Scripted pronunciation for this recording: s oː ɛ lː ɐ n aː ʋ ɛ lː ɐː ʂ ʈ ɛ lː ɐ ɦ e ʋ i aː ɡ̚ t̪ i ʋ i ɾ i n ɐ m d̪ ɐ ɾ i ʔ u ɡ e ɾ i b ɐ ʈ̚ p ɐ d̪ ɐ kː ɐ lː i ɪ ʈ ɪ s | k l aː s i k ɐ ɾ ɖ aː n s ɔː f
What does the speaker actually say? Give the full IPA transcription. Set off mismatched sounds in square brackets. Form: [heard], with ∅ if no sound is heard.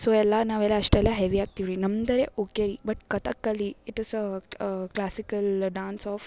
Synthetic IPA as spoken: s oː ɛ lː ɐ n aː ʋ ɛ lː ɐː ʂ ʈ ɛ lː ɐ ɦ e ʋ i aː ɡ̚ t̪ i ʋ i ɾ i n ɐ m d̪ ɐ ɾ [e] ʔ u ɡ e ɾ i b ɐ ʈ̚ [k] ɐ [t̪] ɐ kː ɐ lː i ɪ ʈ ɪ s | k l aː s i k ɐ [l] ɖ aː n s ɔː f